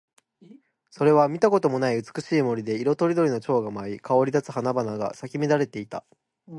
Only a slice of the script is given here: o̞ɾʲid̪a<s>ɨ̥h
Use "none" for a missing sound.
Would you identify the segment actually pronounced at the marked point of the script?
t͡s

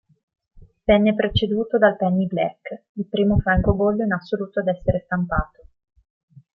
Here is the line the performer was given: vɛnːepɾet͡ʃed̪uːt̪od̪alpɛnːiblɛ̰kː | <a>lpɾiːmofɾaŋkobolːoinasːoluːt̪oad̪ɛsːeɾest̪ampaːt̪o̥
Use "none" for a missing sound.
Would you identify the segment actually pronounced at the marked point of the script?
i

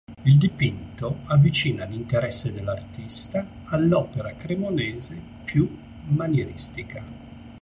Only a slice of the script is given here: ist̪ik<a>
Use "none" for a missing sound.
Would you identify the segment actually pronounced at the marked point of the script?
a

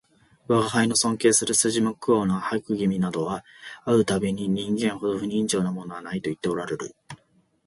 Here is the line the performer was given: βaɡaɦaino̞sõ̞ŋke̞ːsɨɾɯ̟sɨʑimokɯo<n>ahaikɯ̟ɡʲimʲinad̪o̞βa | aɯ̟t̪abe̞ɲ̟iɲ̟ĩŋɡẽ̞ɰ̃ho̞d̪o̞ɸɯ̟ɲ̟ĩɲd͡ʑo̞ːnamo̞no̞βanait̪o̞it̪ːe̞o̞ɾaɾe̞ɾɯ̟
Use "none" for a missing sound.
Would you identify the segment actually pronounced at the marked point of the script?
n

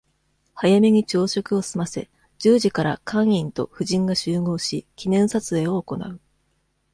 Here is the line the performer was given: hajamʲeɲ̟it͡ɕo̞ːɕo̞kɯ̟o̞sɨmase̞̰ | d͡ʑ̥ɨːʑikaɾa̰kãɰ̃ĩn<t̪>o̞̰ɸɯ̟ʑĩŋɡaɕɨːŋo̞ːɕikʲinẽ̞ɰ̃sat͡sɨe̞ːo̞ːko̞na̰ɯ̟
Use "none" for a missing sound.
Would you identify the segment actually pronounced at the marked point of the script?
t̪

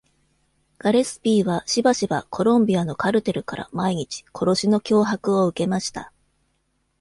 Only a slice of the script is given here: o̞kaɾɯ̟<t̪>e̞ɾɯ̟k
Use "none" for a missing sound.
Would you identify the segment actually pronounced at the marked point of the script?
t̪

